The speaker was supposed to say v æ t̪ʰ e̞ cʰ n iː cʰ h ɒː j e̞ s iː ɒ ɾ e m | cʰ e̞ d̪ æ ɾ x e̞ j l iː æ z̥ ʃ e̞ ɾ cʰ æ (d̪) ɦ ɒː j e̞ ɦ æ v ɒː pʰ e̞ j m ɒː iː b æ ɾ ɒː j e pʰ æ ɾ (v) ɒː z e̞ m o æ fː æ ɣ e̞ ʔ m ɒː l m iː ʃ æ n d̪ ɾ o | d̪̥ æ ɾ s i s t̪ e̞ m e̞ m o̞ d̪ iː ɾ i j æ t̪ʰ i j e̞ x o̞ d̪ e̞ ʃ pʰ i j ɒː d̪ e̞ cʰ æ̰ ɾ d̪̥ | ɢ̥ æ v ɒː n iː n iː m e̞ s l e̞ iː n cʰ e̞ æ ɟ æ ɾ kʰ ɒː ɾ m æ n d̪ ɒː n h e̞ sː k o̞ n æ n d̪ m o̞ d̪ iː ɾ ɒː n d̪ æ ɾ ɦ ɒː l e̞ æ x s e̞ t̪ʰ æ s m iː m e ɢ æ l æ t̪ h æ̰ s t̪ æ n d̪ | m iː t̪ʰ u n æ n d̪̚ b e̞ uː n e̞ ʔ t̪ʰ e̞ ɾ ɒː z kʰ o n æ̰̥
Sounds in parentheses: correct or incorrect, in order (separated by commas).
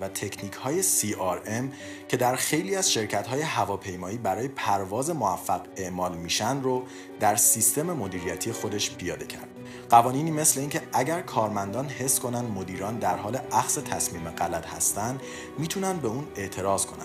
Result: incorrect, correct